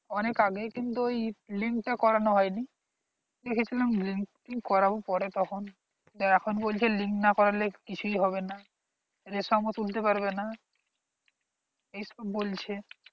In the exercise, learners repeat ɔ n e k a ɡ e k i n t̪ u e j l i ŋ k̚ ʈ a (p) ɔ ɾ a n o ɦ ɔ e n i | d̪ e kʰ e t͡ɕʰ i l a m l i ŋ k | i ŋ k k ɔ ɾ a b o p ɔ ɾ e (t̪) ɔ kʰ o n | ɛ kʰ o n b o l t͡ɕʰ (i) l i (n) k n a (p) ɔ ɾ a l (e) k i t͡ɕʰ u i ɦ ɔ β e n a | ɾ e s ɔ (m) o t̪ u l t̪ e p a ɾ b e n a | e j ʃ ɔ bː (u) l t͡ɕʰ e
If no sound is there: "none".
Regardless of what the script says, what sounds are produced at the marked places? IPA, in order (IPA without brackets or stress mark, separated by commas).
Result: k, t̪, e, ŋ, k, e, m, o